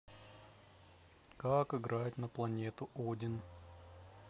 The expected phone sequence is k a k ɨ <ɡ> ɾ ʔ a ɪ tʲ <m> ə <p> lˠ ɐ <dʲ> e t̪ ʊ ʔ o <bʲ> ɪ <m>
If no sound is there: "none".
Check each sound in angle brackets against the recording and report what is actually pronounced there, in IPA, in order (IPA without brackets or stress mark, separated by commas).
ɡ, n, p, nʲ, dʲ, n